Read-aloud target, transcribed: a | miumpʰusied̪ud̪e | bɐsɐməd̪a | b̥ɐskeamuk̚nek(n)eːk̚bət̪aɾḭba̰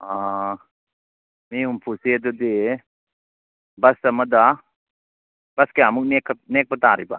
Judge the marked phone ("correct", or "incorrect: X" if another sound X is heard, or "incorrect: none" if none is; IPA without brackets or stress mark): correct